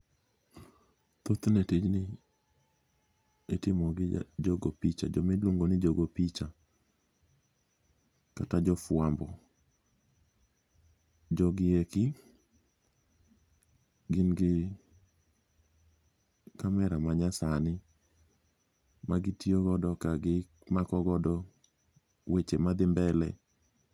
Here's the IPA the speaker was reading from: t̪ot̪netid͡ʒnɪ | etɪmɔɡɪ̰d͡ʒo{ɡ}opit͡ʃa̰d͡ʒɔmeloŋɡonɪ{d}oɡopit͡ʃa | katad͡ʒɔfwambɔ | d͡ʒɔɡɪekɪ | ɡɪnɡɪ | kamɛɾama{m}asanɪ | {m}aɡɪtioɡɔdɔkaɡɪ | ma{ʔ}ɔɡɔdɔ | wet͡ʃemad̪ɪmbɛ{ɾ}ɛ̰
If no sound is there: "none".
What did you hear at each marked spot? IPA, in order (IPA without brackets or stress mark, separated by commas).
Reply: ɡ, d͡ʒ, ɲ, m, k, l